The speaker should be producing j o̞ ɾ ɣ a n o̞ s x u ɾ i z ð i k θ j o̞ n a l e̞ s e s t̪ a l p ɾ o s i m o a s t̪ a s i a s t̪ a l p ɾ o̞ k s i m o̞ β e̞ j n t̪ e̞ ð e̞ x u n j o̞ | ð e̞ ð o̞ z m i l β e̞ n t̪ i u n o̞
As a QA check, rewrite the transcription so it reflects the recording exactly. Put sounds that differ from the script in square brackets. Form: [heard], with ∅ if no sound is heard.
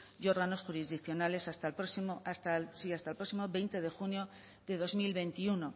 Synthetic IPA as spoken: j o̞ ɾ ɣ a n o̞ s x u ɾ i z ð i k θ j o̞ n a l e̞ s [a] s t̪ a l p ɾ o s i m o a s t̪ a s i a s t̪ a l p ɾ o̞ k s i m o̞ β e̞ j n t̪ e̞ ð e̞ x u n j o̞ | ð e̞ ð o̞ z m i l β e̞ n t̪ i u n o̞